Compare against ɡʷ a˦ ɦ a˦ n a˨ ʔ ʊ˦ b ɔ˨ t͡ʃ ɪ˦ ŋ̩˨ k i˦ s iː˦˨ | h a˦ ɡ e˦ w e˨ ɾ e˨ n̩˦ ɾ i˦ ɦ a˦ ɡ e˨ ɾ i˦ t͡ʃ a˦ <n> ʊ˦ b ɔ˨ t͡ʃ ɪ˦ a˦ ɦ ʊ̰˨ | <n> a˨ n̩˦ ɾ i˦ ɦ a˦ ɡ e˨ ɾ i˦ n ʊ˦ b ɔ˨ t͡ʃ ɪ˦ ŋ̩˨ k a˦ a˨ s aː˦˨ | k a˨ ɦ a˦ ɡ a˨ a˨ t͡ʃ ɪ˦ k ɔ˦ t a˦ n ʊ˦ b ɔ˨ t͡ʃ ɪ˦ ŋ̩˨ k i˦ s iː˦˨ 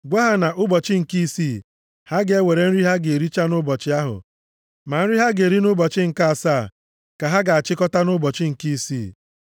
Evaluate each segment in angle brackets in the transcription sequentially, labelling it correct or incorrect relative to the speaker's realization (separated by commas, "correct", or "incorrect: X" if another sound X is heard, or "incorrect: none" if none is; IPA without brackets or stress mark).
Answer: correct, incorrect: m